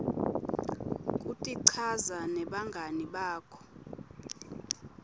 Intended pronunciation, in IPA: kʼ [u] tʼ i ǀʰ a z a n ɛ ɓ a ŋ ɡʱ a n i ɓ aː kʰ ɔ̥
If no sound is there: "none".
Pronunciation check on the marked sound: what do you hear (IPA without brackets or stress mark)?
u